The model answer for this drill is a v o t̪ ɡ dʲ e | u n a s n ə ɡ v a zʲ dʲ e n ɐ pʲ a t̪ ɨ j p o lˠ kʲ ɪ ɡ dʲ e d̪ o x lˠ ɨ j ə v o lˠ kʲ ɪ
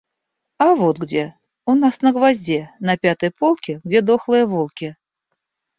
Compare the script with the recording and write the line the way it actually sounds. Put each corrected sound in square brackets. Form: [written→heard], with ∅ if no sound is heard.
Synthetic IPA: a v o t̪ ɡ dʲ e | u n a s n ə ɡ v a zʲ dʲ e n ɐ pʲ a t̪ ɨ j p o lˠ kʲ ɪ ɡ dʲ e d̪ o x lˠ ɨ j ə v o lˠ kʲ ɪ